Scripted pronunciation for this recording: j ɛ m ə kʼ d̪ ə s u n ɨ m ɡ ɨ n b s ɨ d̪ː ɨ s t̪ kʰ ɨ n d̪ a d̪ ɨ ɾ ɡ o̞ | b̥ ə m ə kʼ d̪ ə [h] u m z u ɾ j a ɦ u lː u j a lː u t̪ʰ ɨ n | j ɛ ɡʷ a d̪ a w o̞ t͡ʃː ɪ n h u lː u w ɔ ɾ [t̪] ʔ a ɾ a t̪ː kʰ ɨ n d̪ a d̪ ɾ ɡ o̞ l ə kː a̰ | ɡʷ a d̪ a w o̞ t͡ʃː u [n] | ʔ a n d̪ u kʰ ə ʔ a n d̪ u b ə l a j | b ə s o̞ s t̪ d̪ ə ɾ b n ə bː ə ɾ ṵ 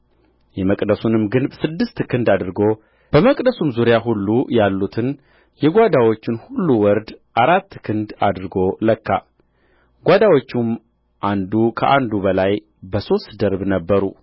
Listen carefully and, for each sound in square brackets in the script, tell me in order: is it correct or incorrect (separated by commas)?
incorrect, incorrect, incorrect